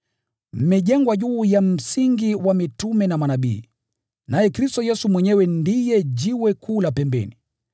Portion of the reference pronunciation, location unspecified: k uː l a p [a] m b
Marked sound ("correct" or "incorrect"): incorrect